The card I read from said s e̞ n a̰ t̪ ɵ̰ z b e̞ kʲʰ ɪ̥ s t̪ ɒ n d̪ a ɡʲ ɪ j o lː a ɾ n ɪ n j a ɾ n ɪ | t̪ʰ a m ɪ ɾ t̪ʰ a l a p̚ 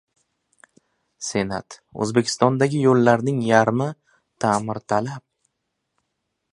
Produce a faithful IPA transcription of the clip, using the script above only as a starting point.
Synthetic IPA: s e̞ n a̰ t̪ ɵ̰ z b e̞ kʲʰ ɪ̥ s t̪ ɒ n d̪ a ɡʲ ɪ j o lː a ɾ n ɪ ŋ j a ɾ m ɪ | t̪ʰ a m ɪ ɾ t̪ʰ a l a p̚